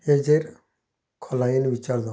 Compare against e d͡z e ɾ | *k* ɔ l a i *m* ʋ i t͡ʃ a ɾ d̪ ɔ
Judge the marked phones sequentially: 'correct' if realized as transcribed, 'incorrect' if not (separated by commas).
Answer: incorrect, incorrect